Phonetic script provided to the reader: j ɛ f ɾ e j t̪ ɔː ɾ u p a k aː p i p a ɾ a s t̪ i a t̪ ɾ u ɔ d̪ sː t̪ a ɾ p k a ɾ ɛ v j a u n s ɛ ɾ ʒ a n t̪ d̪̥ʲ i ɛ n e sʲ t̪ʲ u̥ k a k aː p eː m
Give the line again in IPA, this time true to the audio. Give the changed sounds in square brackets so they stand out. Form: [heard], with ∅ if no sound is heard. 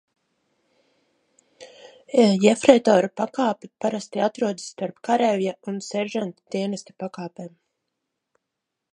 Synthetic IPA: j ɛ f ɾ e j t̪ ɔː ɾ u p a k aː p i p a ɾ a s t̪ i a t̪ ɾ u ɔ d̪ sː t̪ a ɾ p k a ɾ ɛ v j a u n s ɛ ɾ ʒ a n t̪ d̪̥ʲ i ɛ n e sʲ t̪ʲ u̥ [p] a k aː p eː m